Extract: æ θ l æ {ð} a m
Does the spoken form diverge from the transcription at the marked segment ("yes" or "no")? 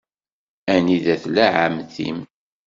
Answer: yes